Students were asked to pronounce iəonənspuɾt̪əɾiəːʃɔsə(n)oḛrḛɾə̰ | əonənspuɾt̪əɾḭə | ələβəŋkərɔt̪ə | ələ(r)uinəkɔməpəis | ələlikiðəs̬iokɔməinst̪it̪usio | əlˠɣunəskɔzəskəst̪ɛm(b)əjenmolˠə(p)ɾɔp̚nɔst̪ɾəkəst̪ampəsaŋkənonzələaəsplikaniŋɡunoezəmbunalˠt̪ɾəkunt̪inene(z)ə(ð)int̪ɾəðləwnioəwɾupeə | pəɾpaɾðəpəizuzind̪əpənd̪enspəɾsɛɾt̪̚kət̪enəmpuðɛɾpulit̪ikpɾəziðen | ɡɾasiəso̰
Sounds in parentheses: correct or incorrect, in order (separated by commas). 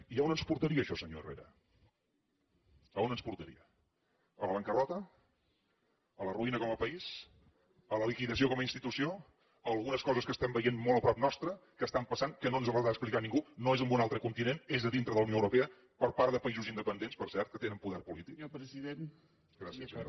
incorrect, correct, correct, correct, correct, correct